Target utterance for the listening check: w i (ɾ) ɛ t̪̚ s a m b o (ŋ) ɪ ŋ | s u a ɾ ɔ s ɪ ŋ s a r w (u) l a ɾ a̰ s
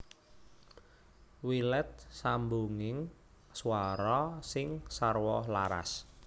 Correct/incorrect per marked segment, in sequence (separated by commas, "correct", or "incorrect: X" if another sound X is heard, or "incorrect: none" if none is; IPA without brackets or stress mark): incorrect: l, correct, incorrect: ɔ